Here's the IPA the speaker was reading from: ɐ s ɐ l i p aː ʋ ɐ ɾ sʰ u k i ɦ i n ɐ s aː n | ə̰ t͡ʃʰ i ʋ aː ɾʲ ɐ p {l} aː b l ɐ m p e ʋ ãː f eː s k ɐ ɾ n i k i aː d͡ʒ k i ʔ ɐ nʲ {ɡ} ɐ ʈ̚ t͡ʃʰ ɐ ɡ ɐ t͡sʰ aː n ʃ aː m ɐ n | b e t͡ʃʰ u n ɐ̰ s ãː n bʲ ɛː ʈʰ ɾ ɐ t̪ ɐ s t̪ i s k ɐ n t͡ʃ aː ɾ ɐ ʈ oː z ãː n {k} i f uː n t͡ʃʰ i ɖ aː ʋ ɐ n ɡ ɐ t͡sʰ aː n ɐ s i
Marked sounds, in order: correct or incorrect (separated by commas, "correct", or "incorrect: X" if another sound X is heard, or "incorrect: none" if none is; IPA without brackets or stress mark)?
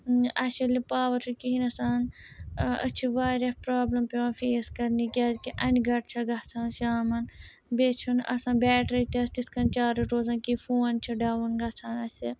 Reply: incorrect: ɾ, correct, correct